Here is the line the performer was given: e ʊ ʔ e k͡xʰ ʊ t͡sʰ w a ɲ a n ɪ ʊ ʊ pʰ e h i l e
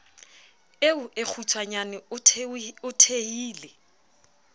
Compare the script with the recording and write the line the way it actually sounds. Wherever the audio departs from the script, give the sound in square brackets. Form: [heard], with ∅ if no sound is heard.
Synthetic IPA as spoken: e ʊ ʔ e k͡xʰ [u] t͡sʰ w a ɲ a n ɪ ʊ ʊ [tʰ] e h [iː] l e